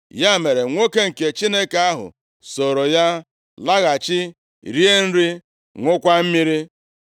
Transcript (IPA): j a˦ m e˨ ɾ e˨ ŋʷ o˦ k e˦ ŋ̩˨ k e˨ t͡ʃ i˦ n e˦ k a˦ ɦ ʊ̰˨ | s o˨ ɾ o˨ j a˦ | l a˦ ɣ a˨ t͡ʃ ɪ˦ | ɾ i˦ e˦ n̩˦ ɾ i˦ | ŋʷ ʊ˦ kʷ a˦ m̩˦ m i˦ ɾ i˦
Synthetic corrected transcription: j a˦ m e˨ ɾ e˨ ŋʷ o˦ k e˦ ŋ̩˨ k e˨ t͡ʃ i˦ n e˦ k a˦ ɦ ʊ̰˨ | s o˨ ɾ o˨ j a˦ | l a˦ ɣ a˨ t͡ʃ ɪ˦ | ɾ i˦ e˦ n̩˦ ɾ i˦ | ŋʷ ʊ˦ kʷ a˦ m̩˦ m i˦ ɾ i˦